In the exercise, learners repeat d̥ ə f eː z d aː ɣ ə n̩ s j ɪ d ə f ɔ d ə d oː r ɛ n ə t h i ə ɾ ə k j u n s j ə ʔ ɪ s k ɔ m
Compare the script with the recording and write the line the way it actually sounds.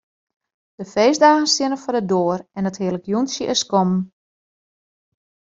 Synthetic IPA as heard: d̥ ə f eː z d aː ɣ ə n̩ s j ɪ n ə f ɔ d ə d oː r ɛ n ə t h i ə l ə k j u n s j ə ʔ ɪ s k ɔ m

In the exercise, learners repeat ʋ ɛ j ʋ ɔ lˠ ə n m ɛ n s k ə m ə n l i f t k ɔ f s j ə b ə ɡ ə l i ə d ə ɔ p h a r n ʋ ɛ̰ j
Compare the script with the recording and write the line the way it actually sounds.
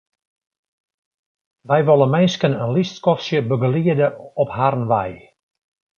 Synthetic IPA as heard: ʋ ɛ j ʋ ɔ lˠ ə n m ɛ n s k ə n ə n l i s t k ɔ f s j ə b ə ɡ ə l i ə d ə ɔ p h a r n ʋ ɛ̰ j

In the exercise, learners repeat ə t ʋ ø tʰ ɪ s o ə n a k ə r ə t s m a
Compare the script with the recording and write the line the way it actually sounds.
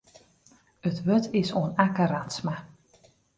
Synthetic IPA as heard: ə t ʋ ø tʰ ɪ s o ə n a k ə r a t s m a

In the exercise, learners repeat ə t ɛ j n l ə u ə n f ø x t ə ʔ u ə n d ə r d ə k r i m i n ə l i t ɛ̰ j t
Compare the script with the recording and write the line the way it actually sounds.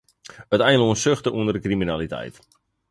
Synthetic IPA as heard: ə t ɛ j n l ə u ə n s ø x t ə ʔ u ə n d ə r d ə k r i m i n a l i t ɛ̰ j t

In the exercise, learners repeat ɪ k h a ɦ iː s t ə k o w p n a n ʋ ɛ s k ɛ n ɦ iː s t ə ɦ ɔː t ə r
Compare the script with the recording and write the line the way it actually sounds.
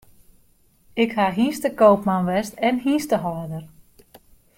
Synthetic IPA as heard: ɪ k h a ɦ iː s t ə k o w p m a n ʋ ɛ s t ɛ n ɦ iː s t ə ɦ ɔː d ə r

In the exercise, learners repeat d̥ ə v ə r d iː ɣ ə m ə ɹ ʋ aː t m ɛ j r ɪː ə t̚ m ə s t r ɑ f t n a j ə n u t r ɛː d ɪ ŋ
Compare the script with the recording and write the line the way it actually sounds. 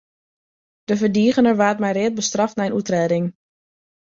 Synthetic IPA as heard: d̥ ə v ə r d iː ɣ ə n ə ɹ ʋ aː t m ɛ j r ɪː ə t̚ b ə s t r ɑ f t n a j ə n u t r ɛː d ɪ ŋ

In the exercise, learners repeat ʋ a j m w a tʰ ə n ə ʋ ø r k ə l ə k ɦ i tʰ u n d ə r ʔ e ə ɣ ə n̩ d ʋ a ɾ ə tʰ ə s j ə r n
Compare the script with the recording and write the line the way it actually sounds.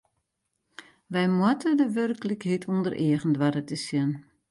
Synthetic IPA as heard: ʋ ɛ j m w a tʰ ə d ə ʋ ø r k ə l ə k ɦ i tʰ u n d ə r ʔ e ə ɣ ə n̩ d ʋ a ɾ ə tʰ ə s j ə n

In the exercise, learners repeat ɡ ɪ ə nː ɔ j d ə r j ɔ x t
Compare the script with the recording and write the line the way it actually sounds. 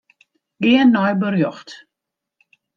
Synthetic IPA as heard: ɡ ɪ ə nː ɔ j b ə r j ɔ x t

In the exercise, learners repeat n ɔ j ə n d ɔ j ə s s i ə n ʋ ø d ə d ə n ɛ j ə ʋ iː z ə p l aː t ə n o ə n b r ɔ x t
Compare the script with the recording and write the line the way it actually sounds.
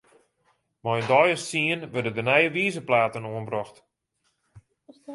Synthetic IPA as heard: m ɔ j ə n d ɔ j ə s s i ə n ʋ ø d ə d ə n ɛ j ə ʋ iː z ə p l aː t ə n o ə n b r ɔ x t

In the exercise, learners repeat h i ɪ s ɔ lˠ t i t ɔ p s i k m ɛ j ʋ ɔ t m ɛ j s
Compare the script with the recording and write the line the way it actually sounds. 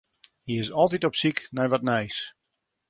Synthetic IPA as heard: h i ɪ s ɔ lˠ t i t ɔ p s i k n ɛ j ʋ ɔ t n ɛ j s

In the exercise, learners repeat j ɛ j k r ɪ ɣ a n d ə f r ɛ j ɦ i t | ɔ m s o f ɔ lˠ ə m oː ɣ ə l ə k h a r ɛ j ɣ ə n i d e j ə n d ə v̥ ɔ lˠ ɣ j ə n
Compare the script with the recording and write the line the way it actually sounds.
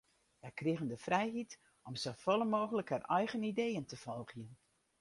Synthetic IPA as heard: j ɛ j k r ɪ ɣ ə n d ə f r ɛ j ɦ i t | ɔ m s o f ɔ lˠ ə m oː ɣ ə l ə k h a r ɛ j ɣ ə n i d e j ə n t ə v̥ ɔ lˠ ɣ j ə n

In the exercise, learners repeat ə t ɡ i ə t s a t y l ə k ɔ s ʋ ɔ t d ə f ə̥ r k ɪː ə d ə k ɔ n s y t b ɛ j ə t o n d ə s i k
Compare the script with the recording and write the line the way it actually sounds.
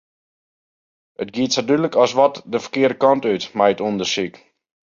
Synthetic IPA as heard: ə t ɡ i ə t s a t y l ə k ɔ s ʋ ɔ t d ə f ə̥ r k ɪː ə d ə k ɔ n t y t m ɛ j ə t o n d ə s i k

